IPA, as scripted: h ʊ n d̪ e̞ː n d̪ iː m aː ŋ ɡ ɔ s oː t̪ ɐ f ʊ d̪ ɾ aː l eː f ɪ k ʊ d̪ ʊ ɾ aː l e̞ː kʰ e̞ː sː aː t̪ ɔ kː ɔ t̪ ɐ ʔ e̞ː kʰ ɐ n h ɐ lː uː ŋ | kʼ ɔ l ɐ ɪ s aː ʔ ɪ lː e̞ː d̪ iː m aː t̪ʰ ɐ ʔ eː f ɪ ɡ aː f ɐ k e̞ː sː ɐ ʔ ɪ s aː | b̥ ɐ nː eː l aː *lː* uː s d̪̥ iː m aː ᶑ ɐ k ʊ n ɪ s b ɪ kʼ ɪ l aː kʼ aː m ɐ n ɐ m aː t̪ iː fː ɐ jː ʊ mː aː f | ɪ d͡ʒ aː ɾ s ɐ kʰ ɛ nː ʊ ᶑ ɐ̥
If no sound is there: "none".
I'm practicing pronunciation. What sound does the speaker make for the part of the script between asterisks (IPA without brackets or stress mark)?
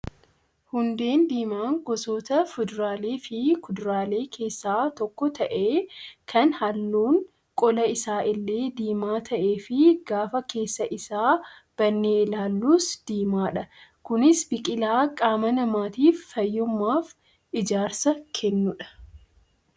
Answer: lː